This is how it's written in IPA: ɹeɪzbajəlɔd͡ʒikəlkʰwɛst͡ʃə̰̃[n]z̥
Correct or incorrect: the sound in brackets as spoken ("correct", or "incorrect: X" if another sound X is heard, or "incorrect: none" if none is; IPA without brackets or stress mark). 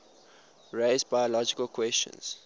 correct